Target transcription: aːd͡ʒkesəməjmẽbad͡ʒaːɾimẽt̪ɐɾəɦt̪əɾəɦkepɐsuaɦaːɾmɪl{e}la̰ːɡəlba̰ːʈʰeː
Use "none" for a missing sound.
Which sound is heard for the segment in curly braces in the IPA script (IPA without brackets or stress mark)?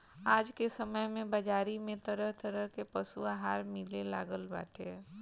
e